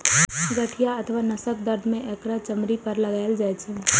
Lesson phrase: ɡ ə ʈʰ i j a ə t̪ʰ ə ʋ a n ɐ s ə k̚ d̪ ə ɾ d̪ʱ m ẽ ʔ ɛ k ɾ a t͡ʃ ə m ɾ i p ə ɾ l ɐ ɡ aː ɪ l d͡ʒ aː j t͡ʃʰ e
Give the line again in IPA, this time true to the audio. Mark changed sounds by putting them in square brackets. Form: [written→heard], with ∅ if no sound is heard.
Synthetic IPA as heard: ɡ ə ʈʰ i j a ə t̪ʰ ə ʋ a n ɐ s ə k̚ d̪ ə ɾ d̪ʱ m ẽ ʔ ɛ k ɾ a t͡ʃ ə m ɾ i p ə ɾ l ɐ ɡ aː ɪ l d͡ʒ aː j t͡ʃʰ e